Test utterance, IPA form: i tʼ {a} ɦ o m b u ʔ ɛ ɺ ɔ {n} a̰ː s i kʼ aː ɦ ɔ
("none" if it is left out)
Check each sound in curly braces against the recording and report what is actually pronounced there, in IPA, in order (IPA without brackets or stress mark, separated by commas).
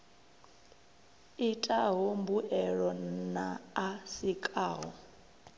a, n